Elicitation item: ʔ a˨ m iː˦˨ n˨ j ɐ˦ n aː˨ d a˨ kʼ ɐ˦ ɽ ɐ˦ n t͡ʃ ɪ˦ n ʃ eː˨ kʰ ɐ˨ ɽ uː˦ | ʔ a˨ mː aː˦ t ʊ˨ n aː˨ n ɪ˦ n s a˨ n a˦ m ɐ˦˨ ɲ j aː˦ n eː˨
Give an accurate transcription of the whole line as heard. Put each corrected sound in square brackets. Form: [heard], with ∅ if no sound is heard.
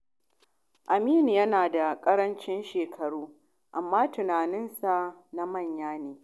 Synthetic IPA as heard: ʔ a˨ m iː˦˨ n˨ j ɐ˦ n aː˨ d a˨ kʼ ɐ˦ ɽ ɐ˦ n t͡ʃ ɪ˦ n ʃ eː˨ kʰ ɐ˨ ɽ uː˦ | ʔ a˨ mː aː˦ t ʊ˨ n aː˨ n ɪ˦ n s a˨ n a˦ m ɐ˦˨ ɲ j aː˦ n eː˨